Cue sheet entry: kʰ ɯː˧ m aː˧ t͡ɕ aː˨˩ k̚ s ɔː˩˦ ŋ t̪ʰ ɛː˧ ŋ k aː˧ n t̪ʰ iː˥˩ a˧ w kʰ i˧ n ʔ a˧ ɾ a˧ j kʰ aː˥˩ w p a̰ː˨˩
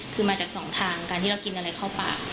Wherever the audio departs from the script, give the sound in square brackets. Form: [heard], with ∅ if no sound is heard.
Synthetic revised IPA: kʰ ɯː˧ m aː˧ t͡ɕ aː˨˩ k̚ s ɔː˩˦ ŋ t̪ʰ [aː˧] ŋ k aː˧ n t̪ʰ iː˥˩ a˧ w [k] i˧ n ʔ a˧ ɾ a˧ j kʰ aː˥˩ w p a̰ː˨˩